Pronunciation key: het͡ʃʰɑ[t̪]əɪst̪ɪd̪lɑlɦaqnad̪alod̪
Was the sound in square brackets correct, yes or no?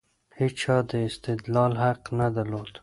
no